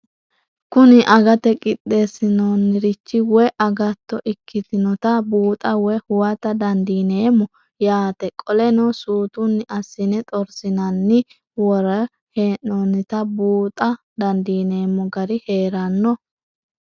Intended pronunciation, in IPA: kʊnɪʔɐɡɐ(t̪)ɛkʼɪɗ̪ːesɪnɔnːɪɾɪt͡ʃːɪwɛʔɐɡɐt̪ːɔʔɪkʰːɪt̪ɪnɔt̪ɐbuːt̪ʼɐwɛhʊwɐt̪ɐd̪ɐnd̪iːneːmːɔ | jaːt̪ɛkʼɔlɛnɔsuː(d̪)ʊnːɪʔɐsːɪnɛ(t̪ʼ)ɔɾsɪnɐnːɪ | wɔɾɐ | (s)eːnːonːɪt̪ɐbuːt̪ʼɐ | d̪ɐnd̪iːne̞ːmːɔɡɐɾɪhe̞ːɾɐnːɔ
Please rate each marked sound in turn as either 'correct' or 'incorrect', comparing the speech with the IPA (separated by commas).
correct, incorrect, correct, incorrect